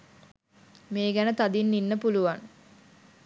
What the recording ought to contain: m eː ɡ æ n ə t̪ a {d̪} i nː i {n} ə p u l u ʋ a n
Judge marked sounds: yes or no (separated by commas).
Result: yes, no